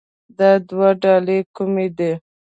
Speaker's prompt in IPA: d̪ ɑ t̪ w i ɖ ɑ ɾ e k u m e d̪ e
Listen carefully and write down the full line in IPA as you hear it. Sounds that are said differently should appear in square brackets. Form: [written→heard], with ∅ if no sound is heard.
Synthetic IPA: d̪ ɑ [t̪→d̪] w [i→a] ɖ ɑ [ɾ→l] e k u m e d̪ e